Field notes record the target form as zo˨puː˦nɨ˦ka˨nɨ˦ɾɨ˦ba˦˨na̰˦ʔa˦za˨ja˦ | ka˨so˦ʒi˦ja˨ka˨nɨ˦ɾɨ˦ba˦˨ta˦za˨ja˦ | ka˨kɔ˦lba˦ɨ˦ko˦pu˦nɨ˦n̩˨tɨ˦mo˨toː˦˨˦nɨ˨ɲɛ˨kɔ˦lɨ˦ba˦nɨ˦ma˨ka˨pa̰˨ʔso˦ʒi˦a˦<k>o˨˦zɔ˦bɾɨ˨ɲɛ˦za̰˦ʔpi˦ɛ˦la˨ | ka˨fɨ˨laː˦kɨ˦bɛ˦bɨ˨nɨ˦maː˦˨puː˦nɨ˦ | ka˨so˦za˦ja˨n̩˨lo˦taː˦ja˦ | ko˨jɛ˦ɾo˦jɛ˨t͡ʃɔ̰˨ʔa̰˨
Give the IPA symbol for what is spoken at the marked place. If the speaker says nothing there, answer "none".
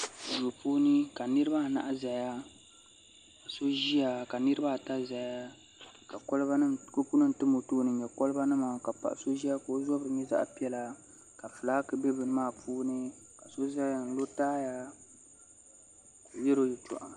k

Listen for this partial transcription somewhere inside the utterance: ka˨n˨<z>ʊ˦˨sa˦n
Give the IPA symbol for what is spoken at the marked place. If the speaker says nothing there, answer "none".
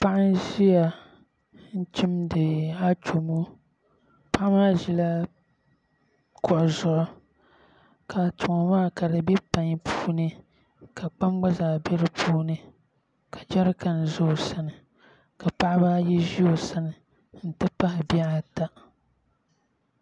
z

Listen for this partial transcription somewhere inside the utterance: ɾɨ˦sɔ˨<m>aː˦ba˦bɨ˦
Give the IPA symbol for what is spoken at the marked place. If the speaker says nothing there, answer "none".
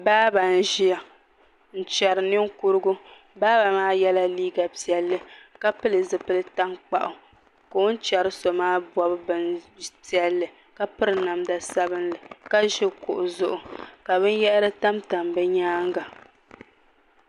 m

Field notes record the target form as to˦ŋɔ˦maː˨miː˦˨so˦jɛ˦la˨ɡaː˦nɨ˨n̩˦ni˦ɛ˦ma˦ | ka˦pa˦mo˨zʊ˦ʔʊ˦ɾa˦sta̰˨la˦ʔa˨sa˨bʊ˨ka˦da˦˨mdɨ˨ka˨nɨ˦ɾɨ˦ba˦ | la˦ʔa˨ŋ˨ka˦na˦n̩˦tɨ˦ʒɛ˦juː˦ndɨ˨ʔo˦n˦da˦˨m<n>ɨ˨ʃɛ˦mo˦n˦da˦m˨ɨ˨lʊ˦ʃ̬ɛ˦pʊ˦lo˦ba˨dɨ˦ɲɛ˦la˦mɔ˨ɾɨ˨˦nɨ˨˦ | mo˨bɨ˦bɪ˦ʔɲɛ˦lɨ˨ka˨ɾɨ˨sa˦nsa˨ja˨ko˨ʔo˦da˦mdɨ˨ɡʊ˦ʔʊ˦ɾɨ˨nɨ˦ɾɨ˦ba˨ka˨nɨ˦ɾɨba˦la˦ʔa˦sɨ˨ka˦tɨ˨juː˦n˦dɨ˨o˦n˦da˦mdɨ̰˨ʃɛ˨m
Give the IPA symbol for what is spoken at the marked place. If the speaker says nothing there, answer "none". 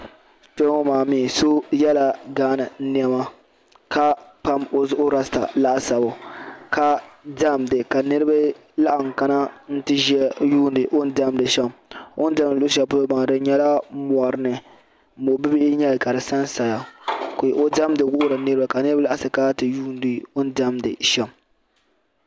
d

